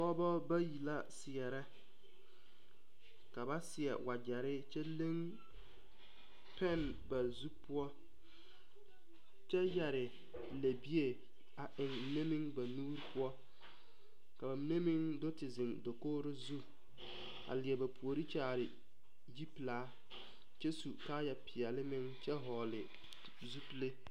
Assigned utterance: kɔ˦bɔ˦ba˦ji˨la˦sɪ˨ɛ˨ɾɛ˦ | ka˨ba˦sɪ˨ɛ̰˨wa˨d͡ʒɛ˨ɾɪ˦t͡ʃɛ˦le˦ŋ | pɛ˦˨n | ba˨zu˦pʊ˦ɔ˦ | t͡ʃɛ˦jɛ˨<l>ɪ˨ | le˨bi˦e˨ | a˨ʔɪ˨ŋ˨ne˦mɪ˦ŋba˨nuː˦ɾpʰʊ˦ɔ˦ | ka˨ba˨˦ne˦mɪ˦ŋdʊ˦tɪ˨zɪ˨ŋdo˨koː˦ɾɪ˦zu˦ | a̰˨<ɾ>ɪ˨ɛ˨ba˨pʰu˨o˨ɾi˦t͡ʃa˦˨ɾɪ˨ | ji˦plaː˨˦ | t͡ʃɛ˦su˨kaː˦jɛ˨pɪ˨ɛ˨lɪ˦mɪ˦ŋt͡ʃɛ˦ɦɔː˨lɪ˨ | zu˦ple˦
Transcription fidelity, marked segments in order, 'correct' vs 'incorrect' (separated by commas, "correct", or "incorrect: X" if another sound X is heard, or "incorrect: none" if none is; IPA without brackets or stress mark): incorrect: ɾ, incorrect: l